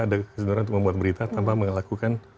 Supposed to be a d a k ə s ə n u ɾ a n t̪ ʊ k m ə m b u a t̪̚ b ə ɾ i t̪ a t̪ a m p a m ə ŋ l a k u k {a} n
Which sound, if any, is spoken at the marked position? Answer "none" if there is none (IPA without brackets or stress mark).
a